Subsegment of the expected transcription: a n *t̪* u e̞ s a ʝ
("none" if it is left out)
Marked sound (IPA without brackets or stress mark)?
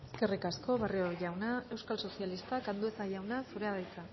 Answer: d̪